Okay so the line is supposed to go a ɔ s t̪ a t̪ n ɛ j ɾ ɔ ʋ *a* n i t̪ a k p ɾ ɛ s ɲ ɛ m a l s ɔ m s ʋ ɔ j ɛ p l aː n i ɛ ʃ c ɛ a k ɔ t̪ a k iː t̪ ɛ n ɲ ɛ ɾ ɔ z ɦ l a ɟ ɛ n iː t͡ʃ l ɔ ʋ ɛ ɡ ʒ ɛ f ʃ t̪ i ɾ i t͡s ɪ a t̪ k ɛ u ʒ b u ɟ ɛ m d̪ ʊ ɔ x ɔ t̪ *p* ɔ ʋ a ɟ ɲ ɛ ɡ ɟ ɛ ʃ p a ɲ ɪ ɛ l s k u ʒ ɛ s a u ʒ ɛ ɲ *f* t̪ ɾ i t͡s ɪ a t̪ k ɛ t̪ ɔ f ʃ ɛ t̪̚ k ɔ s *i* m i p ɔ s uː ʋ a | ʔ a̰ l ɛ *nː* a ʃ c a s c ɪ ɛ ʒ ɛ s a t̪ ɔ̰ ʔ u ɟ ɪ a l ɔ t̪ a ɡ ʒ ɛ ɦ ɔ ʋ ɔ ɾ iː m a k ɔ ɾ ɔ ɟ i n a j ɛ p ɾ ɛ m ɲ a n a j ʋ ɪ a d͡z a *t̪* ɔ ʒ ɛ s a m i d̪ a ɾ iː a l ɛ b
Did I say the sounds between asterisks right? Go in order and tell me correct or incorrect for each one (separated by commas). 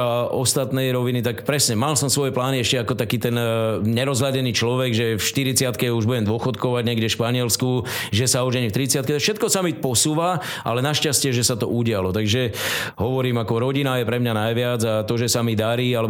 incorrect, incorrect, correct, incorrect, incorrect, correct